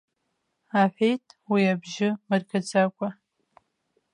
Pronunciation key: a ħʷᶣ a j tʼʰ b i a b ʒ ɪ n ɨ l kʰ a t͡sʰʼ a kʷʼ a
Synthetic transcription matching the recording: a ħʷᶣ e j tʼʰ w i a b ʒ ɪ m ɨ r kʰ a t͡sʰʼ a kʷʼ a